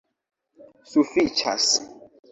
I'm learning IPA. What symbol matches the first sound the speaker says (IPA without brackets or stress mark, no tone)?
s